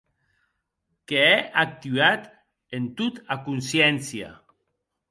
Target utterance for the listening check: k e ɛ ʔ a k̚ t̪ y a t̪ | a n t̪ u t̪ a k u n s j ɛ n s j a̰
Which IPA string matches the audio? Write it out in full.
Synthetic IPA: k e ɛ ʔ a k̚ t̪ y a t̪ | e n t̪ u t̪ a k u n s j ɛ n s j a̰